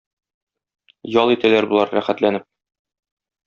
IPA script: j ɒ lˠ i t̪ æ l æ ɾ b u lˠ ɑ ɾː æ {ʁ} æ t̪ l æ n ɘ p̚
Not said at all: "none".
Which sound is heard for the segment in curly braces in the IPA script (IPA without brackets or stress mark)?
χ